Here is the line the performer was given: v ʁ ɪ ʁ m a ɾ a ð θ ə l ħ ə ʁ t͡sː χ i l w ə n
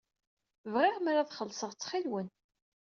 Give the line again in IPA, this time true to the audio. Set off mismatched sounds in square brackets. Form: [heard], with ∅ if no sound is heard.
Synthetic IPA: v ʁ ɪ ʁ m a ɾ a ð [χ] ə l [s] ə ʁ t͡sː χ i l w ə n